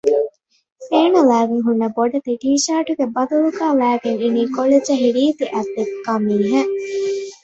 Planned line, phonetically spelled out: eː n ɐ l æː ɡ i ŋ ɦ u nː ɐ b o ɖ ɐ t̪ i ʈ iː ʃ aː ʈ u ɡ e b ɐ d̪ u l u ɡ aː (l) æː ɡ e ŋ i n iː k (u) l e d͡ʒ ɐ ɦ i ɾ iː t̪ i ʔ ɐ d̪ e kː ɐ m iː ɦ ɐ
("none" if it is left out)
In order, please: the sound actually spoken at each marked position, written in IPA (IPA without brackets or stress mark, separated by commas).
l, o